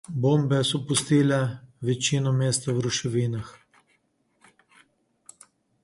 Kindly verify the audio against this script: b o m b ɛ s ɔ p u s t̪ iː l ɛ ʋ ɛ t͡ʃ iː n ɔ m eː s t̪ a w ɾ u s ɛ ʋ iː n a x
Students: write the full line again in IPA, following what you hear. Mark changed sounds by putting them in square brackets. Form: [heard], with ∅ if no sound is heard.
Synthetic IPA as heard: b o m b ɛ s ɔ p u s t̪ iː l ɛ ʋ ɛ t͡ʃ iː n ɔ m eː s t̪ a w ɾ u [ʃ] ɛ ʋ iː n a x